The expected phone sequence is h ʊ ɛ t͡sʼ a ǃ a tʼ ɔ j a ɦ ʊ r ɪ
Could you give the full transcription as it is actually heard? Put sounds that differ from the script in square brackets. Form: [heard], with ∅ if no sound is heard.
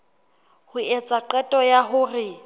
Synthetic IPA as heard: h ʊ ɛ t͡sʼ a ǃ [ɛ] tʼ ɔ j a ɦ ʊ r ɪ